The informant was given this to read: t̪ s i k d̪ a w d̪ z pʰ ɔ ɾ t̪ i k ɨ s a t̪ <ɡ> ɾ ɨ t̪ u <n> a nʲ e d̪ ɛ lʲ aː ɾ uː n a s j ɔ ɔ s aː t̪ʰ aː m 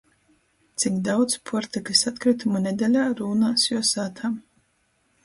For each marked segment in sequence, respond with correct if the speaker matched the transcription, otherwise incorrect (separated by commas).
incorrect, incorrect